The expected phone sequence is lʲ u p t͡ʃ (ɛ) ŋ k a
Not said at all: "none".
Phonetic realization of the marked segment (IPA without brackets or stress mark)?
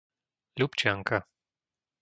a